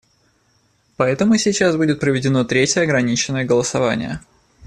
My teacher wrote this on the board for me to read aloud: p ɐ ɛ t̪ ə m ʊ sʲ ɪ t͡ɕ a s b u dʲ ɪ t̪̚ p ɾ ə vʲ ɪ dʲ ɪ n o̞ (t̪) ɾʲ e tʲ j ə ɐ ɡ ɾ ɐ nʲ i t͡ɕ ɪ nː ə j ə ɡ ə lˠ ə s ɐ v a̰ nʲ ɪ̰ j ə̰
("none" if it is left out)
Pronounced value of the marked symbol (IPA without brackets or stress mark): t̪